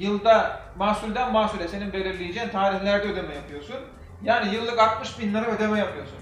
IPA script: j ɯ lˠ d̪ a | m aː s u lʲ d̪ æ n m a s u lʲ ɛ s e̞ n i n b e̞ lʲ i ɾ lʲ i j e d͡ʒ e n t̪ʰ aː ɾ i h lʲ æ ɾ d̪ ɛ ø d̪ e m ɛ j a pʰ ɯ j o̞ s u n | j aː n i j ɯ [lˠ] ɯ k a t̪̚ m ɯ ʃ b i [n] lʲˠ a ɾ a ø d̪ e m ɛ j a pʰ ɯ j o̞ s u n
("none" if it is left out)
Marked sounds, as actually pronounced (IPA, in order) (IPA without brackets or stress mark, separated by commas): lˠː, n